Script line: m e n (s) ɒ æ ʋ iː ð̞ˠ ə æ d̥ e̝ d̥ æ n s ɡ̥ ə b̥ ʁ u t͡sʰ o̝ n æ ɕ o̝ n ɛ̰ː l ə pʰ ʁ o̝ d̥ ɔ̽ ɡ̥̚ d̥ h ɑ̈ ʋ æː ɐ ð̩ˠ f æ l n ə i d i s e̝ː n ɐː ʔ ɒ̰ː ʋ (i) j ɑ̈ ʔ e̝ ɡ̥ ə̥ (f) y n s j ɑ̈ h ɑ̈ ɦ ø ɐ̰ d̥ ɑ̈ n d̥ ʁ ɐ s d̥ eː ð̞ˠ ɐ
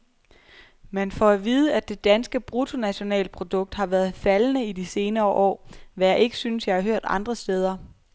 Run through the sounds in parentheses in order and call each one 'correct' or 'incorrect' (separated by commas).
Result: incorrect, incorrect, incorrect